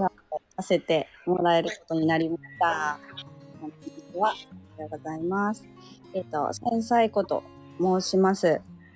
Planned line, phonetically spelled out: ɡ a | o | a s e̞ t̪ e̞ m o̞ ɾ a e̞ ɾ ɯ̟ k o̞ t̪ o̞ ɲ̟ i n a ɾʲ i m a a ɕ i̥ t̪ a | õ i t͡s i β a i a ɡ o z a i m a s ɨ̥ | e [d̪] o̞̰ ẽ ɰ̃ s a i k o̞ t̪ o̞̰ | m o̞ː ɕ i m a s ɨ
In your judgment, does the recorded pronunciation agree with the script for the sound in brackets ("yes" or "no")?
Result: no